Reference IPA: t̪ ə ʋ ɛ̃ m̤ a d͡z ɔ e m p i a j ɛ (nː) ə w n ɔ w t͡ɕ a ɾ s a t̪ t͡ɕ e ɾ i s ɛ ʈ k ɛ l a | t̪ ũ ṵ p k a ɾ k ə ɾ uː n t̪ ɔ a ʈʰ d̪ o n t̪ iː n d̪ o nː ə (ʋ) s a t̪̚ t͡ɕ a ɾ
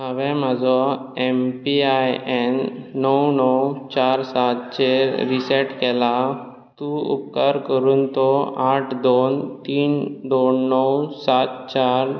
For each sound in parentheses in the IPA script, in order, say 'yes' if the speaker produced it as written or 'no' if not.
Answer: yes, no

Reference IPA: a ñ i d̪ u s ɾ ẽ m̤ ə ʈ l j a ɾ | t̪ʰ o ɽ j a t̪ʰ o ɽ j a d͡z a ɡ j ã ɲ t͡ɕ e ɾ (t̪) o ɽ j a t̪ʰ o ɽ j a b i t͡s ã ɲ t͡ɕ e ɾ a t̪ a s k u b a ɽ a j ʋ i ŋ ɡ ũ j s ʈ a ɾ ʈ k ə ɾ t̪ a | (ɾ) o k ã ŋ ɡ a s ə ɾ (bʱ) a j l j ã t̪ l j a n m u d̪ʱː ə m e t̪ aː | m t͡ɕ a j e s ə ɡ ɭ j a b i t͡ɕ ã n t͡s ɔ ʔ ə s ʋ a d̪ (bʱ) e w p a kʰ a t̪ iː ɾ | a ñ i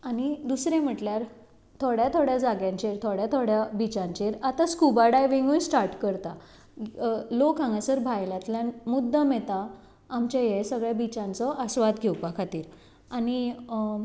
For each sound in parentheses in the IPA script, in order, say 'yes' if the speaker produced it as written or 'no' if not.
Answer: no, no, yes, no

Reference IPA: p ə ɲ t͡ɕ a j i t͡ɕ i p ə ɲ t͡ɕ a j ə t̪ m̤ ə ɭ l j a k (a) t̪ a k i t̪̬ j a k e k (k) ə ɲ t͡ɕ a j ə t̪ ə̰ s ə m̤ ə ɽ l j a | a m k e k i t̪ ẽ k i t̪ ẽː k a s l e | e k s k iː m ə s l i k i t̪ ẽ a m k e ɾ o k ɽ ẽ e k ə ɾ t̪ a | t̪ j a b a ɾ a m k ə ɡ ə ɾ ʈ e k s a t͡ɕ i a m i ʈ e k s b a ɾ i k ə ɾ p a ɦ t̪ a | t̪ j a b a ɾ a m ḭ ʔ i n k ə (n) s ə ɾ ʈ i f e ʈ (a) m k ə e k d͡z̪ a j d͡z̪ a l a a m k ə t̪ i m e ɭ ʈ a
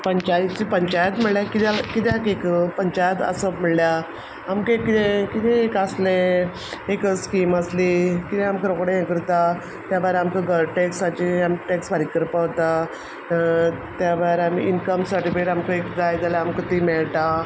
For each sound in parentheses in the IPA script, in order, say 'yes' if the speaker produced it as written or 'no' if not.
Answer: no, no, no, yes

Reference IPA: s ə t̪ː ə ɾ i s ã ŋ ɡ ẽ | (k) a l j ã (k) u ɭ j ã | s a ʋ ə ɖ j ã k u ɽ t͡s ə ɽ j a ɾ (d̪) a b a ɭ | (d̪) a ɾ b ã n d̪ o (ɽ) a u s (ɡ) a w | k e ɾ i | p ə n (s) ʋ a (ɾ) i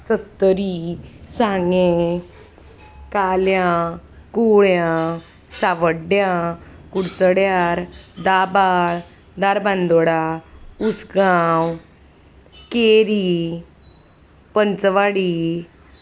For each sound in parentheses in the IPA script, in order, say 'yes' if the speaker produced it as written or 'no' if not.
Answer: yes, yes, yes, yes, yes, yes, no, no

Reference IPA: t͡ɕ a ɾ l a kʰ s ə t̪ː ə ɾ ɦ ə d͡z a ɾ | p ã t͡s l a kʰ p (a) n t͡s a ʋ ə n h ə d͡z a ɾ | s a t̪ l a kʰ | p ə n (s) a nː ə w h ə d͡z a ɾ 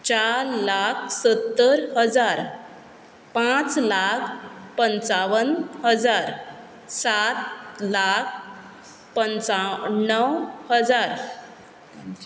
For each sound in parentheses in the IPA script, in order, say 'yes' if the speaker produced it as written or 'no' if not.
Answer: no, no

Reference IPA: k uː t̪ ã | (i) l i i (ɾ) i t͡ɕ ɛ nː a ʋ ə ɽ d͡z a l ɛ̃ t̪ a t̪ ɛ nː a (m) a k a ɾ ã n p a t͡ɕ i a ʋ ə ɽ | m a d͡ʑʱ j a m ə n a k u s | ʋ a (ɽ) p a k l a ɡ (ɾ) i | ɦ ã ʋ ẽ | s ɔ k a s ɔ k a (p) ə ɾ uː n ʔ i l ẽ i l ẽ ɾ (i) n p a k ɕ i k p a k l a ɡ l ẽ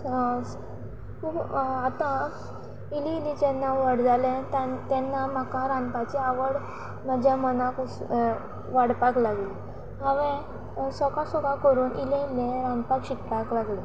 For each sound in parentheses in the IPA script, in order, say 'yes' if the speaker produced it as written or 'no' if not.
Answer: yes, no, yes, yes, no, no, no

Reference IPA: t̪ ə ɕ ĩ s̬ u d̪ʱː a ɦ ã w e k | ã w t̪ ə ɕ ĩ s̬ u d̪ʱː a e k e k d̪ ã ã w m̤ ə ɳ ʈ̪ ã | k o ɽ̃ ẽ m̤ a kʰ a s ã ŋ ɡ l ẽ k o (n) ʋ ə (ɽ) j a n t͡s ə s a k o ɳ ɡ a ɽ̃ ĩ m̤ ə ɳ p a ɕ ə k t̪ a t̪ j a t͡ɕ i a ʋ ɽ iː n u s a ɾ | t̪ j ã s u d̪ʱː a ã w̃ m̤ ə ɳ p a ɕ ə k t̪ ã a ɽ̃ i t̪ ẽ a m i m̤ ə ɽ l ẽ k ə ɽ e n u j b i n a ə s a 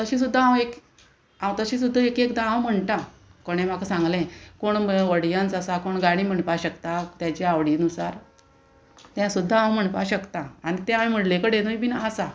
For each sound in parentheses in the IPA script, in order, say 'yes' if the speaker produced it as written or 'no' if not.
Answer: no, yes

